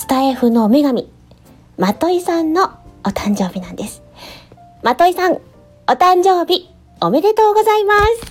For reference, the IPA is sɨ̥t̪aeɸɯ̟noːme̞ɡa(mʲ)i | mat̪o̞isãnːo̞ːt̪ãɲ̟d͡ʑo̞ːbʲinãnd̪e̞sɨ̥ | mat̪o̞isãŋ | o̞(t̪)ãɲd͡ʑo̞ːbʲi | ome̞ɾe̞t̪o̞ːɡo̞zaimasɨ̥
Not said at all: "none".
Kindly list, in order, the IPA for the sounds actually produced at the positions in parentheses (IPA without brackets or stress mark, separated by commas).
mʲ, t̪